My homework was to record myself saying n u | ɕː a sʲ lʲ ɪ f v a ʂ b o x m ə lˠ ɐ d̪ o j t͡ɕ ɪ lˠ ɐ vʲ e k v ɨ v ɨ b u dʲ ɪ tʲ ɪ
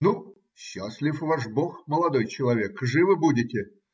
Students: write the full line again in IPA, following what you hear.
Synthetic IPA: n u | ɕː a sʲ lʲ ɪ f v a ʂ b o x m ə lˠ ɐ d̪ o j t͡ɕ ɪ lˠ ɐ vʲ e k ʐ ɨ v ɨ b u dʲ ɪ tʲ ɪ